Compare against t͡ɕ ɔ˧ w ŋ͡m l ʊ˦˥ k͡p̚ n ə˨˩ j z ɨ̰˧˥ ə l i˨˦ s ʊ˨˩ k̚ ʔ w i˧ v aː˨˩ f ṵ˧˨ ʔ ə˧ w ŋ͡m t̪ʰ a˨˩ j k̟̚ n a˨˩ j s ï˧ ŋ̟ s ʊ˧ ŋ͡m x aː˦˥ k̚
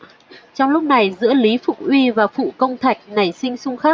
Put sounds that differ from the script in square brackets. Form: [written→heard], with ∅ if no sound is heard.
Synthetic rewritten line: t͡ɕ ɔ˧ w ŋ͡m l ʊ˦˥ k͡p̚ n [ə˨˩→a˨˩] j z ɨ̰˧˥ ə l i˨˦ [s→f] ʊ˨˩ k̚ ʔ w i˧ v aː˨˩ f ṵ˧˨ [ʔ→k] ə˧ w ŋ͡m t̪ʰ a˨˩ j k̟̚ n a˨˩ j s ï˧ ŋ̟ s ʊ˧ ŋ͡m x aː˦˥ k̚